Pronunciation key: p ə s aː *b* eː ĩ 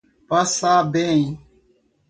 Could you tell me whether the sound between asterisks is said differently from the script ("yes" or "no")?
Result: no